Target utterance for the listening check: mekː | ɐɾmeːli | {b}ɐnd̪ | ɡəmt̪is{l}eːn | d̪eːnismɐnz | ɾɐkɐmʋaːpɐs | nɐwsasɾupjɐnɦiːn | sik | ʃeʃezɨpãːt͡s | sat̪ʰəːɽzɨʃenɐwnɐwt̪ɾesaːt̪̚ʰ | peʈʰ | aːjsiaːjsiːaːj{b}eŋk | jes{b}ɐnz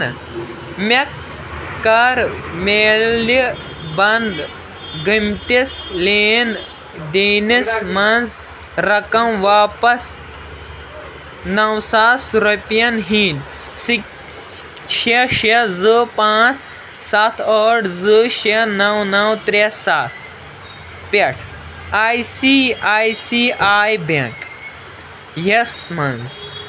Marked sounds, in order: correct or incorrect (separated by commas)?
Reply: correct, correct, correct, incorrect